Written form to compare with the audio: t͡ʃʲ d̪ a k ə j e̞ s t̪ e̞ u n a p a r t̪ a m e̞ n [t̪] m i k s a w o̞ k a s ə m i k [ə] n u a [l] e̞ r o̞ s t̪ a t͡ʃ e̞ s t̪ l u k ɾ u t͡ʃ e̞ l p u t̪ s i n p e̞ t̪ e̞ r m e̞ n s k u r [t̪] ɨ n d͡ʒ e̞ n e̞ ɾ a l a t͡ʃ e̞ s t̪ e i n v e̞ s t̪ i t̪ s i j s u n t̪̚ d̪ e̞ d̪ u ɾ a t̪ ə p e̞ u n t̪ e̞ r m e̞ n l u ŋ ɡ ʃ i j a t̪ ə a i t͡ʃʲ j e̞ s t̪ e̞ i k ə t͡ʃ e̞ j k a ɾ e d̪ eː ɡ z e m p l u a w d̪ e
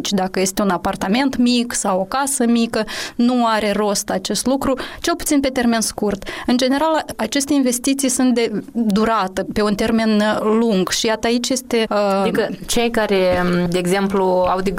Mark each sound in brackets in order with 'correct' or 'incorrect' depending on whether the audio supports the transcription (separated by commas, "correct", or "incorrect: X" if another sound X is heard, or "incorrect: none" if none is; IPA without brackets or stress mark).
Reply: correct, correct, incorrect: ɾ, correct